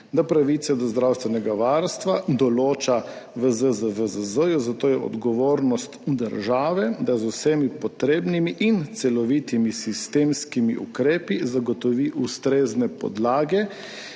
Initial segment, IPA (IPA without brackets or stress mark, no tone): d̪